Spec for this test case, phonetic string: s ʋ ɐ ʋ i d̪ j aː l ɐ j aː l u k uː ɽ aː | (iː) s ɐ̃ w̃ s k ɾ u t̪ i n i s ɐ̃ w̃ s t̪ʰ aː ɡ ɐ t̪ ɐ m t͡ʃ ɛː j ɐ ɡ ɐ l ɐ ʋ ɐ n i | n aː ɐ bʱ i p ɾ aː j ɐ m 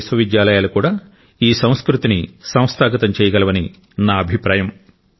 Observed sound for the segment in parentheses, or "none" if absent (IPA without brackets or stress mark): iː